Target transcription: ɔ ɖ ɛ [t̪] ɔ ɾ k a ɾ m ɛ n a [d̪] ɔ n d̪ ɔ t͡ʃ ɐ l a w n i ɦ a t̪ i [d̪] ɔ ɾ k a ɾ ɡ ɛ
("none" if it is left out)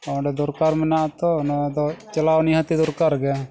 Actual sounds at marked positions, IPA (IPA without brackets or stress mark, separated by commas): d̪, t̪, d̪